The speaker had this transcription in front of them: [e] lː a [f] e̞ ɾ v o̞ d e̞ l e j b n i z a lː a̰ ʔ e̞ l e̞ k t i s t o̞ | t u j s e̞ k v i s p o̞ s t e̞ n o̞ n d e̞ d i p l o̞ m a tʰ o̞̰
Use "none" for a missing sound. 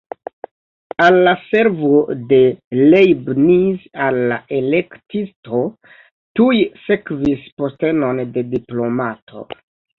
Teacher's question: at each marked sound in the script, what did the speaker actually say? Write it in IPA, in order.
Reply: a, s

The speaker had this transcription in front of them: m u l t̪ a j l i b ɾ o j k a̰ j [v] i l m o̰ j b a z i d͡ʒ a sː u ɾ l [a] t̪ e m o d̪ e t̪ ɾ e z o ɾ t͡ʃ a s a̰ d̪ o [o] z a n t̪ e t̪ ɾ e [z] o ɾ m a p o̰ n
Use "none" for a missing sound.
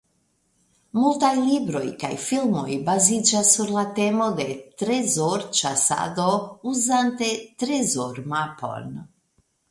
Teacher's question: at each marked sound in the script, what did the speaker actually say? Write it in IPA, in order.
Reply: f, a, u, z

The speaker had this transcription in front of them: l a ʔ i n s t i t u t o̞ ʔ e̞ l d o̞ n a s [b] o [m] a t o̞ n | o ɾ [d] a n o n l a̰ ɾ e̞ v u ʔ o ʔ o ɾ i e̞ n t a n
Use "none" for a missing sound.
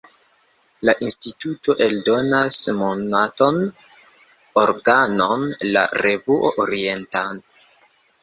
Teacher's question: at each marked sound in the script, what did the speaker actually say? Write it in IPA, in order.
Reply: m, n, ɡ

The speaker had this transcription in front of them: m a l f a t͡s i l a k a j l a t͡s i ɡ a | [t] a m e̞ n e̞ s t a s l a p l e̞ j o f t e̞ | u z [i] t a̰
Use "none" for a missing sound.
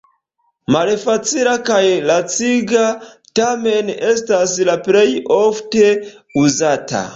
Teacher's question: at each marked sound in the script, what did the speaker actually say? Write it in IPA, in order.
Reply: t, a

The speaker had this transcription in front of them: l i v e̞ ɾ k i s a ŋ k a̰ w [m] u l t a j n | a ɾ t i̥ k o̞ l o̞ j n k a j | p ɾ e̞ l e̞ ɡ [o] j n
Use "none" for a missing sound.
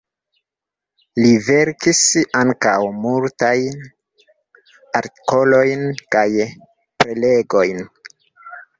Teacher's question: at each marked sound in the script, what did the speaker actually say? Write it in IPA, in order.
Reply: m, o

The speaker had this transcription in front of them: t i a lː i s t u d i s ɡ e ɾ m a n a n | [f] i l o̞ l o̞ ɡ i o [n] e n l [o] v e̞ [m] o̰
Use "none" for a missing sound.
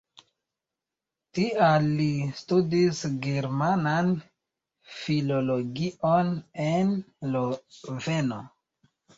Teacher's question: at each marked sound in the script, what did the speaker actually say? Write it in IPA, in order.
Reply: f, n, o, n

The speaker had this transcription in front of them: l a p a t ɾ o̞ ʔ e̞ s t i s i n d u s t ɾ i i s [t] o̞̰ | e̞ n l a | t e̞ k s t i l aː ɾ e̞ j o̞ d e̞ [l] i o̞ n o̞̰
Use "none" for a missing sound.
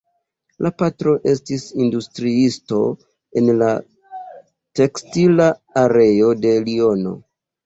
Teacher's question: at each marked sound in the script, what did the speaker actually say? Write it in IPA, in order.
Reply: t, l

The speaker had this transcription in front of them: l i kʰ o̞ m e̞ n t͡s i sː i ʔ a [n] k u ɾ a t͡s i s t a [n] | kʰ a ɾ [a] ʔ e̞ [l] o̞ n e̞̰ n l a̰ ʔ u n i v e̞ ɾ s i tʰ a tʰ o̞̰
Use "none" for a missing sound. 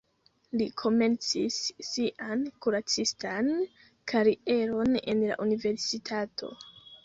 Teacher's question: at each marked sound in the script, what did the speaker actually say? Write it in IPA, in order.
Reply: n, n, i, ɾ

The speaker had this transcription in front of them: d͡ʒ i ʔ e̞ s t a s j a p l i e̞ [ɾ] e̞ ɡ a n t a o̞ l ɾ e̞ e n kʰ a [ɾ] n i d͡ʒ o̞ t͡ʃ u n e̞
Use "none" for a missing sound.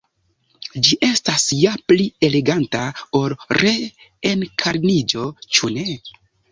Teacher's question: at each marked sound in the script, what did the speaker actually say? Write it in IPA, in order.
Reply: l, ɾ

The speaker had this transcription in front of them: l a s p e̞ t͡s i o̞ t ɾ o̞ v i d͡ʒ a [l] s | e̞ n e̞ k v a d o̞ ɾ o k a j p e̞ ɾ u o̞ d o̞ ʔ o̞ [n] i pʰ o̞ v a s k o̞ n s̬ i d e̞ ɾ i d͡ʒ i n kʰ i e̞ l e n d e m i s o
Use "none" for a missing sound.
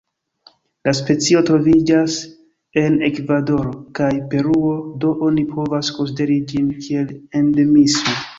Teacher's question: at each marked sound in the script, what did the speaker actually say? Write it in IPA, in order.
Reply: none, n

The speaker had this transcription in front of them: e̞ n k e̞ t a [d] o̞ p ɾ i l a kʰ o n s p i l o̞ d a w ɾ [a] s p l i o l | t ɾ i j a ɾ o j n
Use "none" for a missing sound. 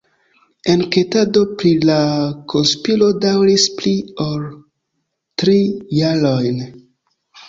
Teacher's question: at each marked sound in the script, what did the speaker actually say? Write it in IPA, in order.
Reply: d, i

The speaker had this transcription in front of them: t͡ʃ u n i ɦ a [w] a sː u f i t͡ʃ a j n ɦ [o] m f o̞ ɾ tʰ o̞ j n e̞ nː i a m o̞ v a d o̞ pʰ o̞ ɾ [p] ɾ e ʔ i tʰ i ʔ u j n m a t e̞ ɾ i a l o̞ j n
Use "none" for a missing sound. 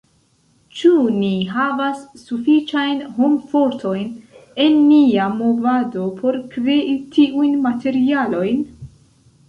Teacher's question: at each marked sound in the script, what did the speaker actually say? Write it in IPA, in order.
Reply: v, o, k

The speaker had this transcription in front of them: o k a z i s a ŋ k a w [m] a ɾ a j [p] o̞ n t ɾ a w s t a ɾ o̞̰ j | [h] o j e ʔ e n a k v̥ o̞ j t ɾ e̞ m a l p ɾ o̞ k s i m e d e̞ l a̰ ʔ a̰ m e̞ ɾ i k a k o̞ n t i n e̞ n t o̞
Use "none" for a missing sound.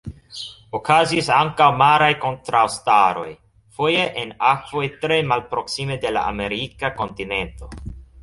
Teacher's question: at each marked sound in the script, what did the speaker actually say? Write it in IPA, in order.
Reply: m, k, f

